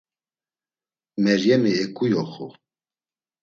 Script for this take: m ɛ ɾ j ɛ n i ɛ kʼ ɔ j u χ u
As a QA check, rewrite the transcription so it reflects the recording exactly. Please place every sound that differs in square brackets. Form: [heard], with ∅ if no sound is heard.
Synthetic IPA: m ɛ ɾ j ɛ [m] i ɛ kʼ [u] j [ɔ] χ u